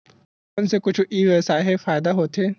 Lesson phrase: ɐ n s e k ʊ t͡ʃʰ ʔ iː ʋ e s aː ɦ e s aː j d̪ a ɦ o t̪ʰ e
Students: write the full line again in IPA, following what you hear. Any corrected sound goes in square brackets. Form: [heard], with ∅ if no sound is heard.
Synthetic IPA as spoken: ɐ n s e k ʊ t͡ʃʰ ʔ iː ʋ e s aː ɦ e [f] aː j d̪ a ɦ o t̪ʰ e